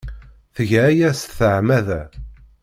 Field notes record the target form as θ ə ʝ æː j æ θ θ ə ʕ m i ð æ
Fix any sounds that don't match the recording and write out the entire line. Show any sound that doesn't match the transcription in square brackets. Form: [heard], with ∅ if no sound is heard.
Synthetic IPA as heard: θ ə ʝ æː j æ [s] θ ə ʕ m [æ] ð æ